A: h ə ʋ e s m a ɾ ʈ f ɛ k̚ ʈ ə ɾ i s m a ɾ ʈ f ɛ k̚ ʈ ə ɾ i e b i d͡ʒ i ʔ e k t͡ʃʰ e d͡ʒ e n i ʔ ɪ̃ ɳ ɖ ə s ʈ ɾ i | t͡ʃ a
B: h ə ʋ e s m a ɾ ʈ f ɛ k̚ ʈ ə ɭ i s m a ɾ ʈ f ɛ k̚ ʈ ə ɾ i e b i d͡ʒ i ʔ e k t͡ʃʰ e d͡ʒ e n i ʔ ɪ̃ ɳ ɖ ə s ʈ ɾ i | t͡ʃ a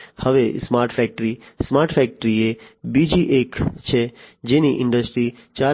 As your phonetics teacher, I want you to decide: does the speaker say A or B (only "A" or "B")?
A